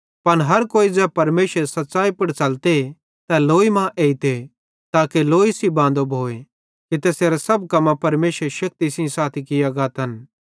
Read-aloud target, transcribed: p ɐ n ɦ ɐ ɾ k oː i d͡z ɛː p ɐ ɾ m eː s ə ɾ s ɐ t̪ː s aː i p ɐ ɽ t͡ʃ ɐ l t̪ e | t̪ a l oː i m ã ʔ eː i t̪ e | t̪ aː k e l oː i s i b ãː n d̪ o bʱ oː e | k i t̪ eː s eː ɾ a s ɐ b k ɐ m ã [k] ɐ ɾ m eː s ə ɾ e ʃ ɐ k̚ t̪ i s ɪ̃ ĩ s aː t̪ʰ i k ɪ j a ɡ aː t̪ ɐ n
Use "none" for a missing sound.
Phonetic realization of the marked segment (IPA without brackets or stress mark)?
p